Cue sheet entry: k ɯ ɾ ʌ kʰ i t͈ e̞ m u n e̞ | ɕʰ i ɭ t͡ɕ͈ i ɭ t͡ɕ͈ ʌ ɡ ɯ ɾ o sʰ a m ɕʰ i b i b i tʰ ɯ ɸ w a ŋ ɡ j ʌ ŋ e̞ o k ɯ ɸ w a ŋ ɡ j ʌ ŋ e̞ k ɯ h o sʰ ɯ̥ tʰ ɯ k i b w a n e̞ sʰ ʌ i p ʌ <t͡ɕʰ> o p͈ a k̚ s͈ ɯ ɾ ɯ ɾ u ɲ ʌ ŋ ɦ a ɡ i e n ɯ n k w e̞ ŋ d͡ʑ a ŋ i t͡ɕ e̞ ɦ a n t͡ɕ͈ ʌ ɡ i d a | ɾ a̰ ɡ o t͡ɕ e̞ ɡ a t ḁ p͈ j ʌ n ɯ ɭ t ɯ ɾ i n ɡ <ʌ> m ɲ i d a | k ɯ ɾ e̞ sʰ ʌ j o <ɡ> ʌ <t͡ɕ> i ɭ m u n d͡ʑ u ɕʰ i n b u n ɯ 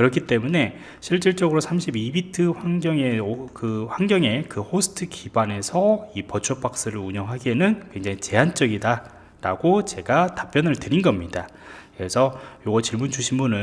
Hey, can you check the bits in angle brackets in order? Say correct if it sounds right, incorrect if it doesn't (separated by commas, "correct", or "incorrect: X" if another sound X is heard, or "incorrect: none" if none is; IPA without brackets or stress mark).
correct, correct, correct, correct